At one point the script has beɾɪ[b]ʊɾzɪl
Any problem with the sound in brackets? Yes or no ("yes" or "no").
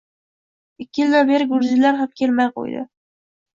yes